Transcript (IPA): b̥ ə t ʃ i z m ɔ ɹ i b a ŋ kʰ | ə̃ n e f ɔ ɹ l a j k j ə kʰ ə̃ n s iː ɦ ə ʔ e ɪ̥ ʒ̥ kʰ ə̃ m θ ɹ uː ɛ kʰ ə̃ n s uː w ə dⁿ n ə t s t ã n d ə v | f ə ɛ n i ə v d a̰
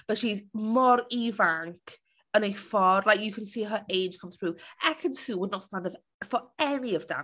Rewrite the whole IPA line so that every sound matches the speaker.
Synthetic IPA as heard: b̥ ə t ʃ i z m ɔ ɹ i v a ŋ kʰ | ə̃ n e f ɔ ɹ l a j k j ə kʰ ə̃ n s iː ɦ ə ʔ e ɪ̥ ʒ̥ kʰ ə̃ m θ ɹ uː ɛ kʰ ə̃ n s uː w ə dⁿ n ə t s t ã n d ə v | f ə ɛ n i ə v d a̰